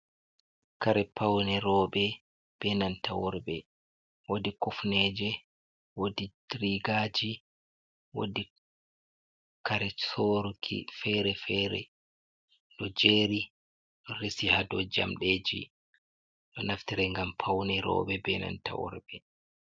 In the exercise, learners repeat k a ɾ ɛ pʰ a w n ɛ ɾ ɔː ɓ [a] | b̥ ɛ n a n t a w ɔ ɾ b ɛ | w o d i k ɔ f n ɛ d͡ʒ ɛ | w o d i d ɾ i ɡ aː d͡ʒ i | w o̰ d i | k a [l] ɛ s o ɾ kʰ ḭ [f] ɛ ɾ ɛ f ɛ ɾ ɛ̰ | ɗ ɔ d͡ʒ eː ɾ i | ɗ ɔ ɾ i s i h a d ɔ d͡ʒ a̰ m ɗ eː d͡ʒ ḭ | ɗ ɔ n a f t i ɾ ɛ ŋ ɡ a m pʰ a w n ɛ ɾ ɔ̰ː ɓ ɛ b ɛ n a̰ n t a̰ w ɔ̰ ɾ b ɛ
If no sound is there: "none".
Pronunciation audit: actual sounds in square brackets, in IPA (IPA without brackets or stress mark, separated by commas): ɛ, ɾ, f